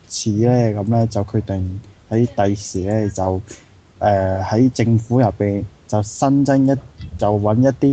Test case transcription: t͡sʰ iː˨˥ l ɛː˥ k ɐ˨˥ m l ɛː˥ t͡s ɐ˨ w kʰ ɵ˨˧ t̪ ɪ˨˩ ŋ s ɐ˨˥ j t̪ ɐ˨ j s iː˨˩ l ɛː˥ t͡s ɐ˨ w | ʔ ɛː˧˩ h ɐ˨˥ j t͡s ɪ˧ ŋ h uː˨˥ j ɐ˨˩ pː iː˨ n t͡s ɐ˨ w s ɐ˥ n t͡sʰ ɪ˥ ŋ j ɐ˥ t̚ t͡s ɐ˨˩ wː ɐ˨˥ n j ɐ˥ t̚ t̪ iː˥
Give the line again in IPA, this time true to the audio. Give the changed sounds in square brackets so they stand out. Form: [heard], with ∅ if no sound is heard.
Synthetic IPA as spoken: t͡sʰ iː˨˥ l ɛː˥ k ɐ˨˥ m l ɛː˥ t͡s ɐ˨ w kʰ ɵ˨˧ t̪ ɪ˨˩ ŋ [h] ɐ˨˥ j t̪ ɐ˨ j s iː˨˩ l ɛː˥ t͡s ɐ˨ w | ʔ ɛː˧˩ h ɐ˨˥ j t͡s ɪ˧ ŋ [f] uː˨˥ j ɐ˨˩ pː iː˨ n t͡s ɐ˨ w s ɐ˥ n [t͡s] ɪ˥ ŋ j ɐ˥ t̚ t͡s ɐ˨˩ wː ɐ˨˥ n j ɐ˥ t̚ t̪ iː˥